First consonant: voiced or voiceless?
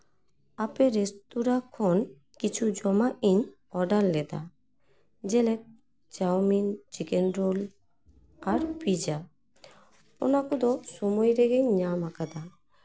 voiceless